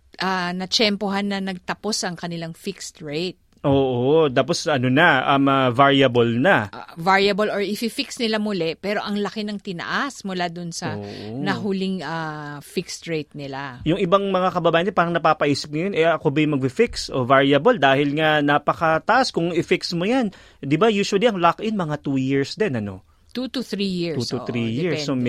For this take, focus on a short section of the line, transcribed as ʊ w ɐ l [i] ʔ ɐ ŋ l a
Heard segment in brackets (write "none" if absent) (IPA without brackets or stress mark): i